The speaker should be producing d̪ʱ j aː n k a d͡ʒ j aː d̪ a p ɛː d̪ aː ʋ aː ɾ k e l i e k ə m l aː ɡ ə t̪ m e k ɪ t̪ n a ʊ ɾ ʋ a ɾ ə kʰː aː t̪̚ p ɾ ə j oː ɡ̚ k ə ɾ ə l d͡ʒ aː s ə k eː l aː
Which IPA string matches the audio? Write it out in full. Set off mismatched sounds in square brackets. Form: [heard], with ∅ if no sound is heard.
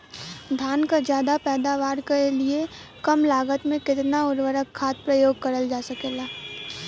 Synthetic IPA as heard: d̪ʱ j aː n k a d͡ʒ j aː d̪ a p ɛː d̪ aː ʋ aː ɾ k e l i e k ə m l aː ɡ ə t̪ m [ẽ] k ɪ t̪ n a ʊ ɾ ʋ [ə] ɾ ə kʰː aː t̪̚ p ɾ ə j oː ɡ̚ k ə ɾ ə l d͡ʒ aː s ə k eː l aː